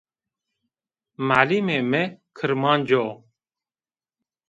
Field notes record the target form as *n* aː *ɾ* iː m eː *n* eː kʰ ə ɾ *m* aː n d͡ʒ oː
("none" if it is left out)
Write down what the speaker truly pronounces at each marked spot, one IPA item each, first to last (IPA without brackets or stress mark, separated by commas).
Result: m, l, m, m